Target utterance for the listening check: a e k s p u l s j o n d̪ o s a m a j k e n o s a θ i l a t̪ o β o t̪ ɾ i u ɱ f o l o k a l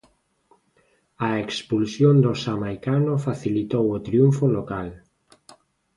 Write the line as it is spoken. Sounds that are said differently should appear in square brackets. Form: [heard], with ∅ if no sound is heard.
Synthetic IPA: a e k s p u l s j o n d̪ o s a m a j k [a] n o [f] a θ i l [i] t̪ o [w] o t̪ ɾ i u ɱ f o l o k a l